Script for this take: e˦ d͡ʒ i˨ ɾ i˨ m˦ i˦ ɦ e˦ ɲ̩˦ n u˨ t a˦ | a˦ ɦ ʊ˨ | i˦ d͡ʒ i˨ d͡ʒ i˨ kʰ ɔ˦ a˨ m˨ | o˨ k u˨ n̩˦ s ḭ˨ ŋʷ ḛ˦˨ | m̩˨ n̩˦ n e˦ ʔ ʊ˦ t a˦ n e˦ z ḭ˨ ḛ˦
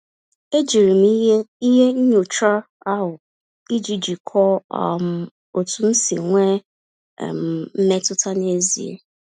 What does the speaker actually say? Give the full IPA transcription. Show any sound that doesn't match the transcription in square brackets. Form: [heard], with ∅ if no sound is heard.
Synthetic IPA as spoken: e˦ d͡ʒ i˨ ɾ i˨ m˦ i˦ ɦ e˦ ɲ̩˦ [ɲ] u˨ [t͡ʃ] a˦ | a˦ ɦ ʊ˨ | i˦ d͡ʒ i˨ d͡ʒ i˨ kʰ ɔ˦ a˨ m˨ | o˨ [t] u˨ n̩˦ s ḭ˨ ŋʷ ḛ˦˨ | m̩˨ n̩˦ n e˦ [t] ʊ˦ t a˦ n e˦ z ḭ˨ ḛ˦